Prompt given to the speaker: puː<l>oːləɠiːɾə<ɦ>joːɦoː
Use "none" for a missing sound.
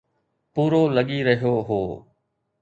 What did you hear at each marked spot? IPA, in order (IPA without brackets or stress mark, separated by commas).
ɾ, ɦ